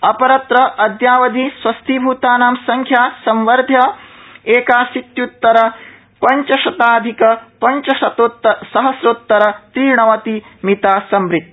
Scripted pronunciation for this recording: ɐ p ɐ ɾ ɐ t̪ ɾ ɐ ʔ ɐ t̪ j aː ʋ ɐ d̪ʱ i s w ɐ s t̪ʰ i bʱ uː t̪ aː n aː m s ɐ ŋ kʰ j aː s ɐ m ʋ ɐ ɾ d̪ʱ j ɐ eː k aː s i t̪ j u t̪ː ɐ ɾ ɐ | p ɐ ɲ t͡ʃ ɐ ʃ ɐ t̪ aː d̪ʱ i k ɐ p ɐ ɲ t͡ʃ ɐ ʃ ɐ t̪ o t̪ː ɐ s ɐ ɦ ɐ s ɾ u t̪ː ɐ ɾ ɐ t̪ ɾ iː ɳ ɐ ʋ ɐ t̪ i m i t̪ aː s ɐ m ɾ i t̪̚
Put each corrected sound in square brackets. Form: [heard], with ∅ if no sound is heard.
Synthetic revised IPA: ɐ p ɐ ɾ ɐ t̪ ɾ ɐ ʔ ɐ [d̪] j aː ʋ ɐ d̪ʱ i s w ɐ s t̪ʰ i bʱ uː t̪ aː n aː m s ɐ ŋ kʰ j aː s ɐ m ʋ ɐ ɾ d̪ʱ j ɐ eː k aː s i t̪ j u t̪ː ɐ ɾ ɐ | p ɐ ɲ t͡ʃ ɐ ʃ ɐ t̪ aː d̪ʱ i k ɐ p ɐ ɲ t͡ʃ ɐ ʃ ɐ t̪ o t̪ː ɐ s ɐ ɦ ɐ s ɾ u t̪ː ɐ ɾ ɐ t̪ ɾ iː ɳ ɐ ʋ ɐ t̪ i m i t̪ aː s ɐ m ɾ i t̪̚